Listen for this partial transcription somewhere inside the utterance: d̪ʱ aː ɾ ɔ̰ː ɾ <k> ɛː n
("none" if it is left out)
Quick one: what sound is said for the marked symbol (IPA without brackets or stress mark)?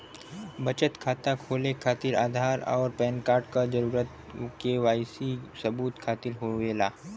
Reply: p